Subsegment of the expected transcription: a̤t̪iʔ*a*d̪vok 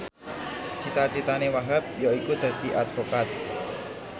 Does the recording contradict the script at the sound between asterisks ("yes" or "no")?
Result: no